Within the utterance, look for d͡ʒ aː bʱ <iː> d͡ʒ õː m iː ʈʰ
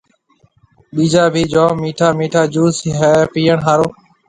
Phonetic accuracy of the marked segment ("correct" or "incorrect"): correct